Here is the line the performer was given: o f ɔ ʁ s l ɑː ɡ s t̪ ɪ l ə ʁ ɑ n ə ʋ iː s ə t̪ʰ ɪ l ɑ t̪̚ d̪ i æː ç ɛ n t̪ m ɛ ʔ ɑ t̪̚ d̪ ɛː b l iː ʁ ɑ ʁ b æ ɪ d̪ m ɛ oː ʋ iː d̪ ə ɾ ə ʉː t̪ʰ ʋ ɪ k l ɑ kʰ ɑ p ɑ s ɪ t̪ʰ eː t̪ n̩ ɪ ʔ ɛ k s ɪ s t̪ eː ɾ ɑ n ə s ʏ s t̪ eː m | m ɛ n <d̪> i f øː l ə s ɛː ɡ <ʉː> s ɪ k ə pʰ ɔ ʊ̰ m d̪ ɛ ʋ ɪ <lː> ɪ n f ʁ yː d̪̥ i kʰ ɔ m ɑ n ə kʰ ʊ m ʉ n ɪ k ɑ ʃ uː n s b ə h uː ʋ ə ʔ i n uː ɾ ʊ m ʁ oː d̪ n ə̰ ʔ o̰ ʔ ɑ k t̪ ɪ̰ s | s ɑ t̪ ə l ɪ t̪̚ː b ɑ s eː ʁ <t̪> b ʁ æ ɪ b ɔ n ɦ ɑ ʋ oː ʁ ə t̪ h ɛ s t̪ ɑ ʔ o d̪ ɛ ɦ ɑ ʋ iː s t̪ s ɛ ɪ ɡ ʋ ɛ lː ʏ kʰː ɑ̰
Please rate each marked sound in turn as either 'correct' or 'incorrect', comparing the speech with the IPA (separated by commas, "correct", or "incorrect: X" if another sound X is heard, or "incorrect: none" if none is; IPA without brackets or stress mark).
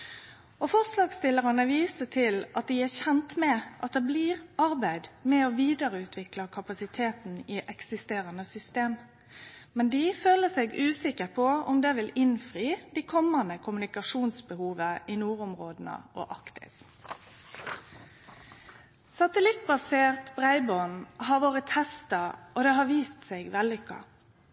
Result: correct, correct, incorrect: l, correct